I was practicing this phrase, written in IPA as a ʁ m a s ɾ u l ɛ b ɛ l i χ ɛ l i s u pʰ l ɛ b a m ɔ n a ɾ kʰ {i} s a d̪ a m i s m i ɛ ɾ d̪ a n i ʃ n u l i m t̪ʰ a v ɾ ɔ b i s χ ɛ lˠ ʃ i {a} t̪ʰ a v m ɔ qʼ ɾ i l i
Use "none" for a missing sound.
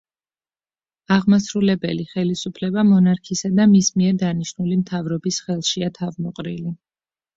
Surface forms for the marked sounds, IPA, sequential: i, a

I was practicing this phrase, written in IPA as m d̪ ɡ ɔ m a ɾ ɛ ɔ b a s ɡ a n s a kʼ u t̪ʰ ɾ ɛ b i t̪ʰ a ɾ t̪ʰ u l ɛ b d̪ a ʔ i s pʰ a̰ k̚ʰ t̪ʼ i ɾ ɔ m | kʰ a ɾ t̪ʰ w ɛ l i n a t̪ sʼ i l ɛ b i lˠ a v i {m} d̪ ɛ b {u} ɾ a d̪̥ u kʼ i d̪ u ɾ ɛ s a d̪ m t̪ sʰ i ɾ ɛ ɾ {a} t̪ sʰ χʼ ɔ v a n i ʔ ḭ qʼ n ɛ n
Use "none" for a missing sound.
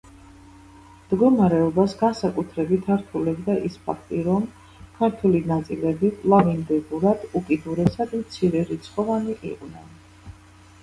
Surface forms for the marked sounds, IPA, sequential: n, u, i

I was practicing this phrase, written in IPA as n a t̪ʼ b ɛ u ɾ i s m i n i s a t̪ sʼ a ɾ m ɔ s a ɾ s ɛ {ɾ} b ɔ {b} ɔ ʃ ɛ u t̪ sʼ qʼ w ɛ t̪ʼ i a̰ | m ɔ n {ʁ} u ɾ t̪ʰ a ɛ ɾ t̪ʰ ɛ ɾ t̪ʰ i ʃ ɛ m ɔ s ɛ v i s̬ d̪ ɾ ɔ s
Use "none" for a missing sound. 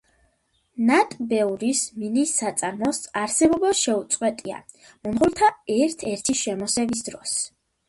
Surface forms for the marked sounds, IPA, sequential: none, b, ʁ

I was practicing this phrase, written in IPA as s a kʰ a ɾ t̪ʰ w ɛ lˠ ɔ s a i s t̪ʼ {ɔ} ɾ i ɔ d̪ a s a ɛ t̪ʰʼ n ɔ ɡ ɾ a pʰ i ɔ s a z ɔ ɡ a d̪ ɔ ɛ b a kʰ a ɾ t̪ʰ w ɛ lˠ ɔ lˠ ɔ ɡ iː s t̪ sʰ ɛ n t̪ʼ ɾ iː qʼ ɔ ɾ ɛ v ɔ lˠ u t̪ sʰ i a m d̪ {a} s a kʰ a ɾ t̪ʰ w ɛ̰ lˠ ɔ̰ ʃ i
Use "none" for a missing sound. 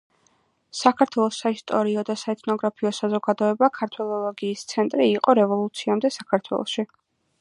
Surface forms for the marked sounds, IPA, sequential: ɔ, ɛ

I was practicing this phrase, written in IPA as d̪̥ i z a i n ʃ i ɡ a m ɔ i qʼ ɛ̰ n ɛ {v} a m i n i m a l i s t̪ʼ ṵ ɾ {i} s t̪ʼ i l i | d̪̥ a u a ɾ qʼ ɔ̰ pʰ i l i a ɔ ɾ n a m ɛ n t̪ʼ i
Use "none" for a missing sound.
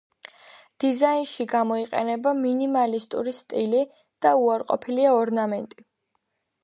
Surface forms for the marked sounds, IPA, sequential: b, i

